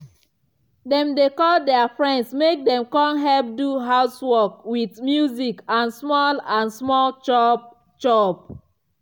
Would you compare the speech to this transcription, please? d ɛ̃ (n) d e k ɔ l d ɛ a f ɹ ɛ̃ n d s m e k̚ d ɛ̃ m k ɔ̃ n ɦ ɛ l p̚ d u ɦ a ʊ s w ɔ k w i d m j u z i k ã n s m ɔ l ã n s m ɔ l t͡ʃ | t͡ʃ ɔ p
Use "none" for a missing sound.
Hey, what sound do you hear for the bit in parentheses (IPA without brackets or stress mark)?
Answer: m